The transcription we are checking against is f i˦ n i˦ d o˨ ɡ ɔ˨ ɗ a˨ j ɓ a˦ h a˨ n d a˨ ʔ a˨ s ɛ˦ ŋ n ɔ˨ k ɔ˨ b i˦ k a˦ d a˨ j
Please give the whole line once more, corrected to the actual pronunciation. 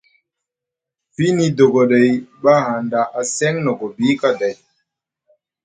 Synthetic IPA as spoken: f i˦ n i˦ d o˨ ɡ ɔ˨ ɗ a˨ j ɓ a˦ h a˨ n d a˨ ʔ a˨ s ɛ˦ ŋ n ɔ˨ ɡ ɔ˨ b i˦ k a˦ d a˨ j